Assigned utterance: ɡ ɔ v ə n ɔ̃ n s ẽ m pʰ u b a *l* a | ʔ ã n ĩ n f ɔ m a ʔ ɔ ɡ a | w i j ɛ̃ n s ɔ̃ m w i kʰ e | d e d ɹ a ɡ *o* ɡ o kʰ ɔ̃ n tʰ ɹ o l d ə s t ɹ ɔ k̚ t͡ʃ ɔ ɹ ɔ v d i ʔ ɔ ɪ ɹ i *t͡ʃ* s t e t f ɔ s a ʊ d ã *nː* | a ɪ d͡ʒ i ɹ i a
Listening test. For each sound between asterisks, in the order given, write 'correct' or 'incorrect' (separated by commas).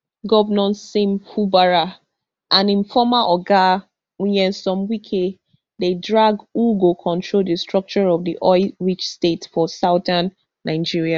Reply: incorrect, incorrect, correct, correct